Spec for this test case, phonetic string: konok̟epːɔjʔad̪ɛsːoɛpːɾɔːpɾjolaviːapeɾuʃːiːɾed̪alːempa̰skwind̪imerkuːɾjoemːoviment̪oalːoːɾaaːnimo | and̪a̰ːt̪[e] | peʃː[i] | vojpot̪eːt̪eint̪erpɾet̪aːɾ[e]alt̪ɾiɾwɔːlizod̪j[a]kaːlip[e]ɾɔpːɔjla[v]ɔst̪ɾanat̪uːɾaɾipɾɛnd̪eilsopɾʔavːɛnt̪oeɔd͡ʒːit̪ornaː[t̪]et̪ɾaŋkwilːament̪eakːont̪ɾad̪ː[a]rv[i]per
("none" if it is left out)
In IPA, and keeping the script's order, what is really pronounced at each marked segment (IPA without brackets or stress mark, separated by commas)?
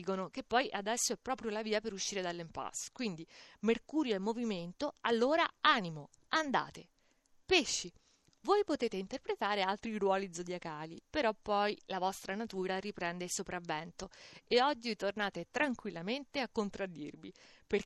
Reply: e, i, e, a, e, v, t̪, i, i